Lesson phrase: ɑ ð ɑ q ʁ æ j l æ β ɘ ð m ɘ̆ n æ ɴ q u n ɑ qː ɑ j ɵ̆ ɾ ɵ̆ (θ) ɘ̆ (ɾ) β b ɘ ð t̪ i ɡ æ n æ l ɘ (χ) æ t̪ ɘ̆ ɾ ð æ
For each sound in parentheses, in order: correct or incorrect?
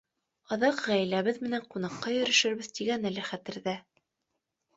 incorrect: ʃ, correct, correct

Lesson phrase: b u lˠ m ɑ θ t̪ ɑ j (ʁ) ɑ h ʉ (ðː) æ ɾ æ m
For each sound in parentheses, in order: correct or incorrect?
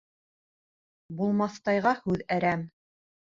correct, incorrect: ð

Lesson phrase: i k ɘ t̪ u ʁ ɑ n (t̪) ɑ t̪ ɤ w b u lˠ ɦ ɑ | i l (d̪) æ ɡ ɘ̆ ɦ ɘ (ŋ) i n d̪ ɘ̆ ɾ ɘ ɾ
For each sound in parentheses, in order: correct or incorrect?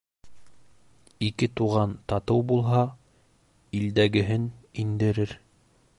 correct, correct, incorrect: n

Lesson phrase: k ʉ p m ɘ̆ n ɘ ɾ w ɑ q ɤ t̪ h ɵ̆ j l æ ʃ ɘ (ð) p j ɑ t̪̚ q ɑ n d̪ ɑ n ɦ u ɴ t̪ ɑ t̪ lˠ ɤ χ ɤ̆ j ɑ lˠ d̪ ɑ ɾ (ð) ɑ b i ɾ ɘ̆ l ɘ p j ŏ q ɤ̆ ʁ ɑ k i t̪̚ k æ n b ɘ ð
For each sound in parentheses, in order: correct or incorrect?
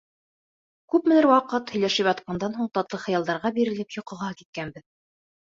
incorrect: none, incorrect: ʁ

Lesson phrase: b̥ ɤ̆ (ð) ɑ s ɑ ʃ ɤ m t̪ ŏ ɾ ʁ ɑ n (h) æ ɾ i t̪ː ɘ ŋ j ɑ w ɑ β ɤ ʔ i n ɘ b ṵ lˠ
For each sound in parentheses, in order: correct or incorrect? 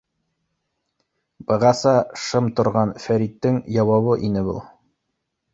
incorrect: ʁ, incorrect: f

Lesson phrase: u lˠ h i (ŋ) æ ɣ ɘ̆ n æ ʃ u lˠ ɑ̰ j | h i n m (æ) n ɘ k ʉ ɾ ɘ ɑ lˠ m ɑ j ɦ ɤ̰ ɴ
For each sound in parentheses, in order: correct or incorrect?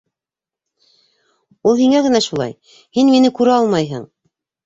correct, incorrect: i

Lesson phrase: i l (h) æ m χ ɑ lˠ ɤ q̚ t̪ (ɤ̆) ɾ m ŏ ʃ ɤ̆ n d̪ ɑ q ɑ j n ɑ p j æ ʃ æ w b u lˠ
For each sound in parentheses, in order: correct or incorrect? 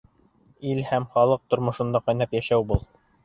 correct, incorrect: ŏ

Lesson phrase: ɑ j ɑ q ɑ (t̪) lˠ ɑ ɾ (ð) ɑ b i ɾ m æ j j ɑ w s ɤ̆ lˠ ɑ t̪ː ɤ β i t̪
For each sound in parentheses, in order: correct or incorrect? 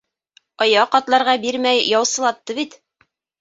correct, incorrect: ʁ

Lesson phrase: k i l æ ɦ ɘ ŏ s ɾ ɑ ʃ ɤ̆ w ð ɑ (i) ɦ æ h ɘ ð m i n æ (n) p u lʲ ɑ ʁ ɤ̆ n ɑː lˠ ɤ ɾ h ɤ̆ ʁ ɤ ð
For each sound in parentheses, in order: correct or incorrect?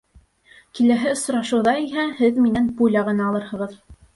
correct, correct

